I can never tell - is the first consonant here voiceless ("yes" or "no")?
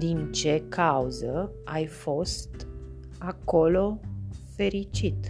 no